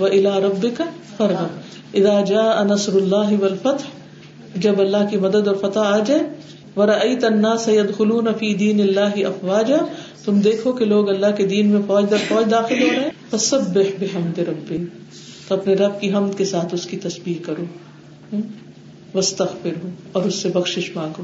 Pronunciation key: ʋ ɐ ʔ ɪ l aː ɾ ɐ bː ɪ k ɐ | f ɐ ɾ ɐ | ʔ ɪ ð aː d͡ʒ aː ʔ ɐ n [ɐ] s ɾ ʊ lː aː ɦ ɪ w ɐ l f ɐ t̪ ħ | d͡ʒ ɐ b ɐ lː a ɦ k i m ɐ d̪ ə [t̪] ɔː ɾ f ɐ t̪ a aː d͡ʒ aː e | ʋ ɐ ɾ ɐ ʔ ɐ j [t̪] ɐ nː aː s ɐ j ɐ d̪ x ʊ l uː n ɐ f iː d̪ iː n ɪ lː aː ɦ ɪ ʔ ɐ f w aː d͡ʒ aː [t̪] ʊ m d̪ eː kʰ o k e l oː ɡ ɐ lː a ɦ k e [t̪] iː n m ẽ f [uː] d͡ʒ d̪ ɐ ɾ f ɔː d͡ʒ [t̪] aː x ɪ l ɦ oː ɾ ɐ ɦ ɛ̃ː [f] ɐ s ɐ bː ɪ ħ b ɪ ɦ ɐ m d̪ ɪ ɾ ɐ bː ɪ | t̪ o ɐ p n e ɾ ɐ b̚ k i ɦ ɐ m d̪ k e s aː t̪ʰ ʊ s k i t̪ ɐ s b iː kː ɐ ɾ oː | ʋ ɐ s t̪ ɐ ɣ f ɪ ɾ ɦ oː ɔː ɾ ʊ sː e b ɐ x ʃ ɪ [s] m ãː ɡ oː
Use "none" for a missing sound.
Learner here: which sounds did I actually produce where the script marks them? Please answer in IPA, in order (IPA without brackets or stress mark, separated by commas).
ɐ, d̪, t̪, t̪, d̪, ɔː, d̪, f, ʃ